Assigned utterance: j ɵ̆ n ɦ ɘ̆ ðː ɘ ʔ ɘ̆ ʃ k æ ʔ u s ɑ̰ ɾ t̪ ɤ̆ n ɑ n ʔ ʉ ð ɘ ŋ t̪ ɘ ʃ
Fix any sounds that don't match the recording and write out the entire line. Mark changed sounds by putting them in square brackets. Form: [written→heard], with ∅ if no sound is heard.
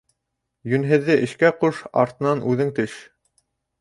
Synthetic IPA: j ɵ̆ n ɦ ɘ̆ ðː ɘ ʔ ɘ̆ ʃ k æ [ʔ→q] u [s→ʃ] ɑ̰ ɾ t̪ ɤ̆ n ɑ n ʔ ʉ ð ɘ ŋ t̪ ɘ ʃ